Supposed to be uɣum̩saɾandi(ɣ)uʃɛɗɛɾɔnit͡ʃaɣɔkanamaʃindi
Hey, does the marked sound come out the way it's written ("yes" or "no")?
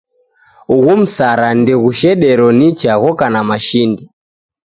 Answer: yes